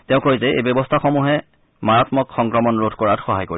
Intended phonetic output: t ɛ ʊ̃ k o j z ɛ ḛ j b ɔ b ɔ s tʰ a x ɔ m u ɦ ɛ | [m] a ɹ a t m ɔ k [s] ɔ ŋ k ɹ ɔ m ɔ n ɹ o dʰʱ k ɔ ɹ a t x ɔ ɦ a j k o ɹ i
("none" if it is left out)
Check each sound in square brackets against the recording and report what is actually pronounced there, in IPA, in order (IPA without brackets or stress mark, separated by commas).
m, x